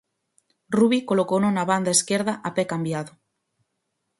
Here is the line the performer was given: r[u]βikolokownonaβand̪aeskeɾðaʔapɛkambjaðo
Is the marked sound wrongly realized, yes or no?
no